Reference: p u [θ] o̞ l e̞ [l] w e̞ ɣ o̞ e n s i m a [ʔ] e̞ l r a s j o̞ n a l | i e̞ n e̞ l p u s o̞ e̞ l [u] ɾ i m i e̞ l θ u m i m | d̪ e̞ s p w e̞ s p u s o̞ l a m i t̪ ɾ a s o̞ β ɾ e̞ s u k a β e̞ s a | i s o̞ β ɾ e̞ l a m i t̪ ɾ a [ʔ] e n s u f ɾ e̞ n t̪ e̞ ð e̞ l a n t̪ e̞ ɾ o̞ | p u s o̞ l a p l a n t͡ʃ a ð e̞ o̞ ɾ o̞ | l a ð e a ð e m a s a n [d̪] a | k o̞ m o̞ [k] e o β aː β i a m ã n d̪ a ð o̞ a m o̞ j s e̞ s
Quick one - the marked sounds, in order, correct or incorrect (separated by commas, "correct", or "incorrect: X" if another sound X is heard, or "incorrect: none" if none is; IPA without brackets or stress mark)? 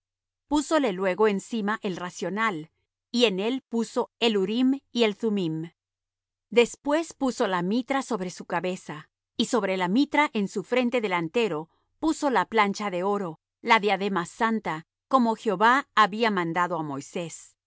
incorrect: s, correct, correct, correct, correct, incorrect: t̪, incorrect: x